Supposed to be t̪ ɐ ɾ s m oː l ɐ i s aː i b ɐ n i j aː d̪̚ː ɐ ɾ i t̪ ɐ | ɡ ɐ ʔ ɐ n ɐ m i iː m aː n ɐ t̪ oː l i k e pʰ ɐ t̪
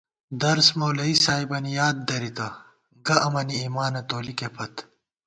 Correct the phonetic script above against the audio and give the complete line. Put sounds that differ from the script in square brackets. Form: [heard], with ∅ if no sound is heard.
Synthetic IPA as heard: [d̪] ɐ ɾ s m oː l ɐ i s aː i b ɐ n i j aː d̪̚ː ɐ ɾ i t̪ ɐ | ɡ ɐ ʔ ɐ [m] ɐ [n] i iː m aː n ɐ t̪ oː l i k e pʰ ɐ t̪